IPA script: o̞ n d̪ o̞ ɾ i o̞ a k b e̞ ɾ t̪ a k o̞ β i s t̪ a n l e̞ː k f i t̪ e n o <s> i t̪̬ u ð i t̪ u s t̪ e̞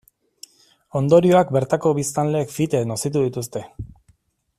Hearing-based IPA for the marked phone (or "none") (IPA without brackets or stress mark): s